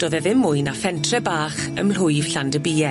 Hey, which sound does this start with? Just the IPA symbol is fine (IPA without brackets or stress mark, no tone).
d̥